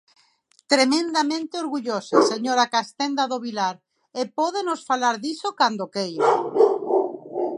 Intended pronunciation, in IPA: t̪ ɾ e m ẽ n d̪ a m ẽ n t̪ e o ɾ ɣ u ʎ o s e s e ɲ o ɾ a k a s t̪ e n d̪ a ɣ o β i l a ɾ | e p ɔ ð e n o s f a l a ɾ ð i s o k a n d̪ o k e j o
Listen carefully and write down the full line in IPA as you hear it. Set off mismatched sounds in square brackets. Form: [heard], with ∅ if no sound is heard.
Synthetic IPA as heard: t̪ ɾ e m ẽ n d̪ a m ẽ n t̪ e o ɾ ɣ u ʎ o s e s e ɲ o ɾ a k a s t̪ e n d̪ a [ð] o β i l a ɾ | e p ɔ ð e n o s f a l a ɾ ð i s o k a n d̪ o k e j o